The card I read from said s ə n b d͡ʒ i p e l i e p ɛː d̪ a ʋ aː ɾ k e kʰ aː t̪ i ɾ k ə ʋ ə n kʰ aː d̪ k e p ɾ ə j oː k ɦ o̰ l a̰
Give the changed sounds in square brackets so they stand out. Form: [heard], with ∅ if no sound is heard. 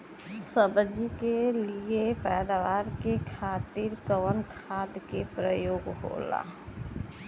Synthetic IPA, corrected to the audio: s ə [∅] b d͡ʒ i [k] e l i e p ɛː d̪ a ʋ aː ɾ k e kʰ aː t̪ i ɾ k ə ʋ ə n kʰ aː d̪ k e p ɾ ə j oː [ɡ] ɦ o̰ l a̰